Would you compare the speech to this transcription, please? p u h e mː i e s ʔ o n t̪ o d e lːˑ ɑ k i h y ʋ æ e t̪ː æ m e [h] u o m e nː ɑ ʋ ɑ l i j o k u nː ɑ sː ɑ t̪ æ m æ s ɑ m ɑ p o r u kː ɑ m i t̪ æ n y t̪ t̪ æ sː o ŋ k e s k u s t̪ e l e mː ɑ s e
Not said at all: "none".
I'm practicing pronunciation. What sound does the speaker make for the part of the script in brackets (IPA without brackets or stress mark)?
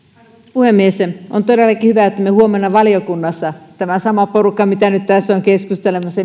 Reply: h